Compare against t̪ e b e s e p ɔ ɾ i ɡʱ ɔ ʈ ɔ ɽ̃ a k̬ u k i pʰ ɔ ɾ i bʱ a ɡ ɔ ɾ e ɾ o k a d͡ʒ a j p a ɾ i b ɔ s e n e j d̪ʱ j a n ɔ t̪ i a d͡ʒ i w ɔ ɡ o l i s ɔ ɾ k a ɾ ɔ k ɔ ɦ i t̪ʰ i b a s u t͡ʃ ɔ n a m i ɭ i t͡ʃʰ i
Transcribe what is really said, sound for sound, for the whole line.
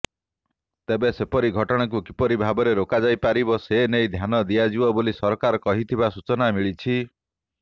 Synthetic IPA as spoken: t̪ e b e s e p ɔ ɾ i ɡʱ ɔ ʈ ɔ ɽ̃ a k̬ u k i p ɔ ɾ i bʱ a b ɔ ɾ e ɾ o k a d͡ʒ a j p a ɾ i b ɔ s e n e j d̪ʱ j a n ɔ d̪ i a d͡ʒ i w ɔ b o l i s ɔ ɾ k a ɾ ɔ k ɔ ɦ i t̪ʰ i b a s u t͡ʃ ɔ n a m i ɭ i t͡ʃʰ i